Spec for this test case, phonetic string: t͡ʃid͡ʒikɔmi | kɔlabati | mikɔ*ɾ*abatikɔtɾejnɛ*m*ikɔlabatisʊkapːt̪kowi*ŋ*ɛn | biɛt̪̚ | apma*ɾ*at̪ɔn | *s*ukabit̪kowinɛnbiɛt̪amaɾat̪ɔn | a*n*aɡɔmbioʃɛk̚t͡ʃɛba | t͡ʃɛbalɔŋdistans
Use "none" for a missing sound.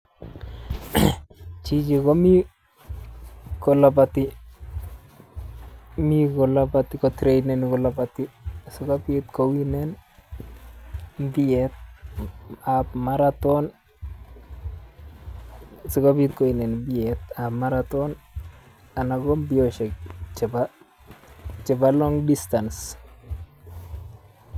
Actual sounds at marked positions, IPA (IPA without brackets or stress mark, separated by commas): l, n, n, ɾ, s, n